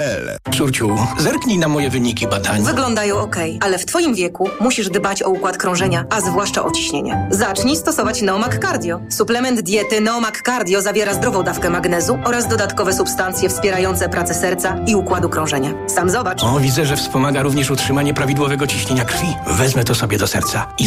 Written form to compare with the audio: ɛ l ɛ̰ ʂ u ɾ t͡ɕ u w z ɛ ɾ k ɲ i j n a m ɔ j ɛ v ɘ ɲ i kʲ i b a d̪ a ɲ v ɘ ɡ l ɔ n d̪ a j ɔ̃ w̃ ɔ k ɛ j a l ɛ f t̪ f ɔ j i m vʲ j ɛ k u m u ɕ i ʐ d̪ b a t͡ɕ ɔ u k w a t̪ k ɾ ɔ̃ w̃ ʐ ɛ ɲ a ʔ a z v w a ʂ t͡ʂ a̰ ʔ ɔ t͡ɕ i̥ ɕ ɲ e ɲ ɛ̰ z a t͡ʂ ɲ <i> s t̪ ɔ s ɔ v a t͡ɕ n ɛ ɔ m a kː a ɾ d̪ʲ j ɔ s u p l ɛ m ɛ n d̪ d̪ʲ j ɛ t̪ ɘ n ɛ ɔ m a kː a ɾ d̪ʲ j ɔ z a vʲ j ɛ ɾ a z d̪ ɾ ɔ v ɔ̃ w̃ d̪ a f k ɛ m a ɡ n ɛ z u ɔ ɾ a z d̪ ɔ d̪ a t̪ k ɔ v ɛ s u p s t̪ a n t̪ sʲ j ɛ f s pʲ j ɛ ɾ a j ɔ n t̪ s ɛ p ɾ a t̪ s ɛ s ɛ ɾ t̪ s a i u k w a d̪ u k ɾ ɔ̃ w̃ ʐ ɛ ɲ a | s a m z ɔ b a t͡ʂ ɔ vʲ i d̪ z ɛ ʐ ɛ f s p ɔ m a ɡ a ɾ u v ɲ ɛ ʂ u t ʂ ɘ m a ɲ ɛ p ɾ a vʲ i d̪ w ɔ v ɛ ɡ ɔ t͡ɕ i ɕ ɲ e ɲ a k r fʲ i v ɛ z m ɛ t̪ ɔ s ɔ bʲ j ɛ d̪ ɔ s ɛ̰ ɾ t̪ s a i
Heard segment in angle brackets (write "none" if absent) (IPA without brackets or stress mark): i